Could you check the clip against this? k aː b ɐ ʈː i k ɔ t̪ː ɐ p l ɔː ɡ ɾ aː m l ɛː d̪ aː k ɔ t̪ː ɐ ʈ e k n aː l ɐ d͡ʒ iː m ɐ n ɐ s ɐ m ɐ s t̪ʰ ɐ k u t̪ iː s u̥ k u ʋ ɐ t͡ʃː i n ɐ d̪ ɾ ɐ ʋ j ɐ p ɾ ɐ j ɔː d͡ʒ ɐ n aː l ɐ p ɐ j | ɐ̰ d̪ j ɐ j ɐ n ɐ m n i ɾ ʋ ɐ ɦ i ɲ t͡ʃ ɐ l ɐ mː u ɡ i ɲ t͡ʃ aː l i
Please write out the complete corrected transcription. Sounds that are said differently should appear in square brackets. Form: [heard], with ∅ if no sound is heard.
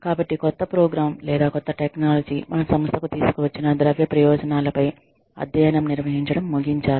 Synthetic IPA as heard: k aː b ɐ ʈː i k ɔ t̪ː ɐ p [ɾ] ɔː ɡ ɾ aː m l ɛː d̪ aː k ɔ t̪ː ɐ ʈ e k n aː l ɐ d͡ʒ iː m ɐ n ɐ s ɐ m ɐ s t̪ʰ ɐ k u t̪ iː s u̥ k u ʋ ɐ t͡ʃː i n ɐ d̪ ɾ ɐ ʋ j ɐ p ɾ ɐ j ɔː d͡ʒ ɐ n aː l ɐ p ɐ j | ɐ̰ d̪ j ɐ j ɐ n ɐ m n i ɾ ʋ ɐ ɦ i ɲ t͡ʃ ɐ [ɽ] ɐ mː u ɡ i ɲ t͡ʃ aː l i